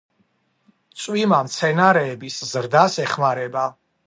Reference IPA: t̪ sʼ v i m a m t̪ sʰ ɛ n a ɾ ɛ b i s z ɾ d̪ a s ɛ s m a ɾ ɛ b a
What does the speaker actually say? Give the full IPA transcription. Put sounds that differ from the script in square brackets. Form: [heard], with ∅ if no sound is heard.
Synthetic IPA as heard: t̪ sʼ [w] i m a m t̪ sʰ ɛ n a ɾ [ɛː] b i s z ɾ d̪ a s ɛ [χ] m a ɾ ɛ b a